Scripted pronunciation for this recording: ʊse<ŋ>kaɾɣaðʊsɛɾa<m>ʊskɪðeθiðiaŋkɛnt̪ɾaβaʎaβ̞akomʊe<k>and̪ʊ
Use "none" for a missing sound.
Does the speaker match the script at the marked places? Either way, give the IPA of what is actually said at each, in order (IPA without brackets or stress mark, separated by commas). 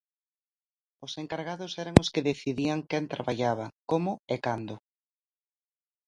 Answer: ŋ, ŋ, k